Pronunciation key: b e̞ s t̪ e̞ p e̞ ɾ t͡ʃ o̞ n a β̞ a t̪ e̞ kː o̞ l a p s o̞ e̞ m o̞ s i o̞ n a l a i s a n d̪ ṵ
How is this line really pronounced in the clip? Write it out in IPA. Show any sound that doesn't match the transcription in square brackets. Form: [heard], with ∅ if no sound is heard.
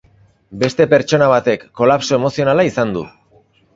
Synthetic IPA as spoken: b e̞ s t̪ e̞ p e̞ ɾ t͡ʃ o̞ n a β̞ a t̪ e̞ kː o̞ l a p s o̞ e̞ m o̞ s i o̞ n a l a i s a n d̪ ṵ